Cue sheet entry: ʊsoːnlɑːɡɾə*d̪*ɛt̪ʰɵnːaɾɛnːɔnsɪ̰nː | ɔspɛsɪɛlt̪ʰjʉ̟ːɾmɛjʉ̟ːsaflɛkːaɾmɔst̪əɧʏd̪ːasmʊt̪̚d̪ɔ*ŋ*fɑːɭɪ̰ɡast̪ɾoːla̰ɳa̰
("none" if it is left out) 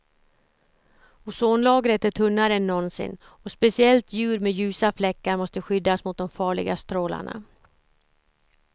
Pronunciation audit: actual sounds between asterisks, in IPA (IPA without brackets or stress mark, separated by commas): t̪, m